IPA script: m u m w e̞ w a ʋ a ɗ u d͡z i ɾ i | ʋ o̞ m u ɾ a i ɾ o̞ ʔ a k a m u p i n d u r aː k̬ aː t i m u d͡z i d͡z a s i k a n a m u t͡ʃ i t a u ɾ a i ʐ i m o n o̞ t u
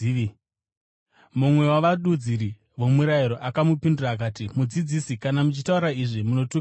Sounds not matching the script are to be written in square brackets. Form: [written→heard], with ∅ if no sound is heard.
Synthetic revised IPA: m u m w e̞ w a ʋ a ɗ u d͡z i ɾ i | ʋ o̞ m u ɾ a i ɾ o̞ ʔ a k a m u p i n d u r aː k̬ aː t i m u d͡z i d͡z [a→i] s i k a n a m u t͡ʃ i t a u ɾ a i ʐ i m [o→u] n o̞ t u